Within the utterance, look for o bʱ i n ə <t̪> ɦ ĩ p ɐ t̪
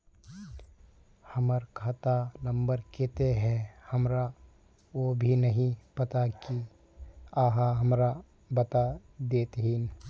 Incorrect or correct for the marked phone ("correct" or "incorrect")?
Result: incorrect